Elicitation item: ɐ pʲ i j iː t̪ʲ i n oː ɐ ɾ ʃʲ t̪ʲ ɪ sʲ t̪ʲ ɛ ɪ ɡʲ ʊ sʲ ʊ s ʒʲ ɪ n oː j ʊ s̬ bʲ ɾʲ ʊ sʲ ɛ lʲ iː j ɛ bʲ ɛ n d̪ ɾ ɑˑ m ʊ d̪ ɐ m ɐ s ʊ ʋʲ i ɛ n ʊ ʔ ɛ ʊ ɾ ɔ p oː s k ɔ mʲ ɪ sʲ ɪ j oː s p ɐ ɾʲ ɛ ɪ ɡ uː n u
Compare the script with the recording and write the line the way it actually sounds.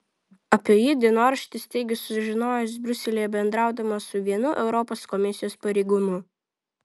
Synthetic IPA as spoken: ɐ pʲ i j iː d̪ʲ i n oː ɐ ɾ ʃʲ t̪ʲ ɪ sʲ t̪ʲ ɛ ɪ ɡʲ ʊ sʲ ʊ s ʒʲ ɪ n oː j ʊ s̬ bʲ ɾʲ ʊ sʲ ɛ lʲ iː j ɛ bʲ ɛ n d̪ ɾ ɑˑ ʊ d̪ ɐ m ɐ s ʊ ʋʲ i ɛ n ʊ ʔ ɛ ʊ ɾ ɔ p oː s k ɔ mʲ ɪ sʲ ɪ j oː s p ɐ ɾʲ ɛ ɪ ɡ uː n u